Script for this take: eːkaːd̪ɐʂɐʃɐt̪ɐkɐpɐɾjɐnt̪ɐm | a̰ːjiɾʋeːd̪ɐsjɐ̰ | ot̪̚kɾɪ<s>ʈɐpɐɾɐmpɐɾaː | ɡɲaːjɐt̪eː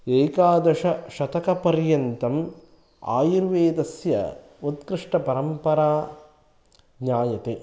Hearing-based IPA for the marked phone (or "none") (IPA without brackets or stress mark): ʂ